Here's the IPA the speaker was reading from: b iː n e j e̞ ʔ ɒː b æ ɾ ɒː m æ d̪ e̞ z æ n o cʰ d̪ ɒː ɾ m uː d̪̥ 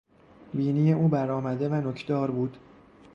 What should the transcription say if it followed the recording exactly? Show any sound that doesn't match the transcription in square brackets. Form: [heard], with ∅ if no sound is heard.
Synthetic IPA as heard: b iː n [i] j e̞ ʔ [uː] b æ ɾ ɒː m æ d̪ e̞ [v] æ n o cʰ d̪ ɒː ɾ [b] uː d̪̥